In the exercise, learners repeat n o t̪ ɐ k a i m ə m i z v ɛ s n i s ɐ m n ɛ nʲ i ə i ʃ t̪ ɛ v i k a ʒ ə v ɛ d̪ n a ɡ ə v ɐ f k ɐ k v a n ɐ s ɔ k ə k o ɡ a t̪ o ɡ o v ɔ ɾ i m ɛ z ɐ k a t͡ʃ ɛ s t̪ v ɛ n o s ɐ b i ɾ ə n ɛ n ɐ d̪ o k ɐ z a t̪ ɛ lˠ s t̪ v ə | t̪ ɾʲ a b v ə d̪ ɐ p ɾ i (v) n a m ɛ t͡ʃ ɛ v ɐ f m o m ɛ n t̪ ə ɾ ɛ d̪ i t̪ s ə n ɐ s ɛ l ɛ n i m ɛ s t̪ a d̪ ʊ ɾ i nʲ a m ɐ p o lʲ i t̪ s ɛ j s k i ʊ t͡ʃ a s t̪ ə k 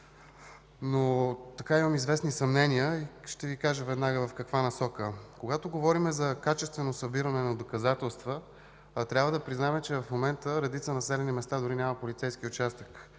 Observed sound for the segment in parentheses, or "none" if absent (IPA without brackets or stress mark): z